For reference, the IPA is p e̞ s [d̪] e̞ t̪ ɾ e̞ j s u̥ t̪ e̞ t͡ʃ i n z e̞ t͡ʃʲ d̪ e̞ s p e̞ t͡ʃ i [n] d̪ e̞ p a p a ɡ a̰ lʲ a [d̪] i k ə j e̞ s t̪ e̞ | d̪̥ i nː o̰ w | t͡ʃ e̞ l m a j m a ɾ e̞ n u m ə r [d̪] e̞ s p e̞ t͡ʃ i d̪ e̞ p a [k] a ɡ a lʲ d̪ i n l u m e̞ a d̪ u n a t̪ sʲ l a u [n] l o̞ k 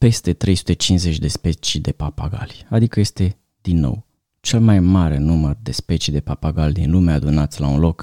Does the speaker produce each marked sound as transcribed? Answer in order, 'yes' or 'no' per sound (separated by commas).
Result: no, no, yes, yes, no, yes